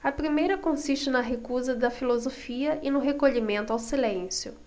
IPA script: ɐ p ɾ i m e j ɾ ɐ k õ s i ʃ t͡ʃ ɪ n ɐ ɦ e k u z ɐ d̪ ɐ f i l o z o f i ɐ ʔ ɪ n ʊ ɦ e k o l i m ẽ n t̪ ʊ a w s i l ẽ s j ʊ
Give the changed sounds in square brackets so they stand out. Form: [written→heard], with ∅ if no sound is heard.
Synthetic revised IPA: ɐ p ɾ i m e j ɾ ɐ k õ s i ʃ t͡ʃ ɪ n ɐ ɦ e k u z ɐ d̪ ɐ f i l o z o f i ɐ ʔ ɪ n ʊ ɦ e k o [l→ʎ] i m ẽ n t̪ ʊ a w s i l ẽ s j ʊ